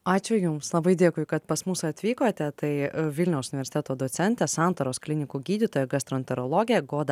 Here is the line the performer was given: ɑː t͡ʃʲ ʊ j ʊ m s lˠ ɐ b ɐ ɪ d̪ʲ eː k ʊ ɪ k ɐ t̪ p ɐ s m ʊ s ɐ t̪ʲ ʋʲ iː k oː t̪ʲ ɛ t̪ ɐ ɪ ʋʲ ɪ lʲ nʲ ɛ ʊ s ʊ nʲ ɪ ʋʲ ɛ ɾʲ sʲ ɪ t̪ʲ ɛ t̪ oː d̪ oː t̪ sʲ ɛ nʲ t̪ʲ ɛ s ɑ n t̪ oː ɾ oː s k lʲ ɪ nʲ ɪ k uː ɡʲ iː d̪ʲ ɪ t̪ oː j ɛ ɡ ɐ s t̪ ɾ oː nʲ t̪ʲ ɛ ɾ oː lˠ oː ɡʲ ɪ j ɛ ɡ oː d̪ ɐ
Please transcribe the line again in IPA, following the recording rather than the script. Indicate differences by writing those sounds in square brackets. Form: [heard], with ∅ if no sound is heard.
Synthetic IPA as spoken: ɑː t͡ʃʲ ʊ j ʊ m s lˠ ɐ b ɐ ɪ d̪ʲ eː k ʊ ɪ k ɐ t̪ p ɐ s m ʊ s ɐ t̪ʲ ʋʲ iː k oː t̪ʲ ɛ t̪ ɐ ɪ ʋʲ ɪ lʲ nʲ ɛ ʊ s ʊ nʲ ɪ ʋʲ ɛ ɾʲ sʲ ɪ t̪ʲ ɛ t̪ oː d̪ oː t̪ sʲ ɛ nʲ t̪ʲ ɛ s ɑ n t̪ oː ɾ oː s k lʲ ɪ nʲ ɪ k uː ɡʲ iː d̪ʲ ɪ t̪ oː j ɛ ɡ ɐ s t̪ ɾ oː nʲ t̪ʲ ɛ ɾ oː lˠ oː ɡʲ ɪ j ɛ ɡ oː d̪ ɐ